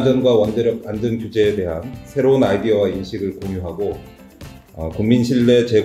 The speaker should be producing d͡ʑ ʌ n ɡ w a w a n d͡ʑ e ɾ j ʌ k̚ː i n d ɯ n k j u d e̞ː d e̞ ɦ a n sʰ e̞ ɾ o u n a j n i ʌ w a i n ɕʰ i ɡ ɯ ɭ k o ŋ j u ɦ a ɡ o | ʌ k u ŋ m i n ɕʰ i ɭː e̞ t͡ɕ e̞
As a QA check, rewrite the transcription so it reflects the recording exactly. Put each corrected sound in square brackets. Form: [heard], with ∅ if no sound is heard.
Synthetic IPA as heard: d͡ʑ ʌ n ɡ w a w [ʌ] n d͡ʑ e ɾ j ʌ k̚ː [a] n d ɯ n k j u [d͡ʑ] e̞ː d e̞ ɦ a n sʰ e̞ ɾ o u n a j [d] i ʌ w a i n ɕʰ i ɡ ɯ ɭ k o ŋ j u ɦ a ɡ o | ʌ k u ŋ m i n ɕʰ i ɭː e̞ t͡ɕ e̞